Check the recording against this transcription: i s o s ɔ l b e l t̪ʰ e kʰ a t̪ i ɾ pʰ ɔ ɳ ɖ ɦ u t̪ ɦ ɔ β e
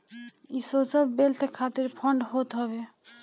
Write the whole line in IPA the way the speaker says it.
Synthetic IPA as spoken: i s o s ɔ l b e l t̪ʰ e kʰ a t̪ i ɾ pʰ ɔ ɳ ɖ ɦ o t̪ ɦ ɔ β e